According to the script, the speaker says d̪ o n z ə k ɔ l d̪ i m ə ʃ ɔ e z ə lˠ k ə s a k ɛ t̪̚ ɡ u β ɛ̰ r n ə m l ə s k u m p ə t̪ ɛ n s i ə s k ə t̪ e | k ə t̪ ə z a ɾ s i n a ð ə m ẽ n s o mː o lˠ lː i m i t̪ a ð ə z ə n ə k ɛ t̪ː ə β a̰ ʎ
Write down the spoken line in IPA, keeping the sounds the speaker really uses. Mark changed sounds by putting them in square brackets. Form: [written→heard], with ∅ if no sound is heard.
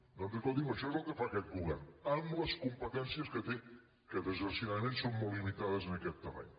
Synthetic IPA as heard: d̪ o n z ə k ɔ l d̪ i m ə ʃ ɔ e z ə lˠ k ə [s→f] a k ɛ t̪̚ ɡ u β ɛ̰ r n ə m l ə s k u m p ə t̪ ɛ n s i ə s k ə t̪ e | k ə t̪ ə z [a→ə] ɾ s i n a ð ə m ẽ n s o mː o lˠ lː i m i t̪ a ð ə z ə n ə k ɛ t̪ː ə β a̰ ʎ